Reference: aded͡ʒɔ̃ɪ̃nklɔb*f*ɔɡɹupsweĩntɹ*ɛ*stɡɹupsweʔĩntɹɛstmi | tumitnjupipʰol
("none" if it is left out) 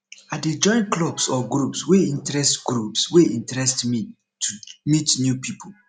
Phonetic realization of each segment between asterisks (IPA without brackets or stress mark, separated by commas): s, ɛ